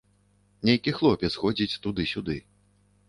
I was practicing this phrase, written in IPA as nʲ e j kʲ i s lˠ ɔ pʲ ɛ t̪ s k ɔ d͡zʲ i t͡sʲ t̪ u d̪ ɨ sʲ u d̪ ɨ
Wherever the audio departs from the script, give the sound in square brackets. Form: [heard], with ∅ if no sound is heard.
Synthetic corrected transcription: nʲ e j kʲ i [x] lˠ ɔ pʲ ɛ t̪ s [x] ɔ d͡zʲ i t͡sʲ t̪ u d̪ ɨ sʲ u d̪ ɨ